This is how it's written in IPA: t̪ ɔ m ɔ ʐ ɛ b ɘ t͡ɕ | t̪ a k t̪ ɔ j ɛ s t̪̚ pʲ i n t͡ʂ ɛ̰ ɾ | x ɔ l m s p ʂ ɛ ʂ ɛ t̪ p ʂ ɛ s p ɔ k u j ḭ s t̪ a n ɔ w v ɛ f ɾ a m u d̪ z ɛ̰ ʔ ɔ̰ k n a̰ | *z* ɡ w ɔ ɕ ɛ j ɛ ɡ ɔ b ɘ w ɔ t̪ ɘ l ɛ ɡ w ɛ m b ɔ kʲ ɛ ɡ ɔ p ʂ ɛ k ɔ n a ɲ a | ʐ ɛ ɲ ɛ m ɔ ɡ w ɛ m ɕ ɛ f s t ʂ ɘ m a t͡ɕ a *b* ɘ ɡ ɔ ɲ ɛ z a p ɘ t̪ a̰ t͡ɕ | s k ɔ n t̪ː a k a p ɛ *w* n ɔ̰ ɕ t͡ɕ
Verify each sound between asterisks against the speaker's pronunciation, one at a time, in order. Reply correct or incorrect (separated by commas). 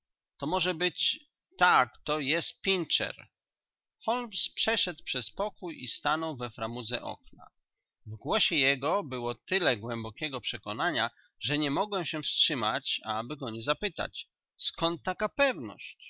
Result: incorrect, correct, incorrect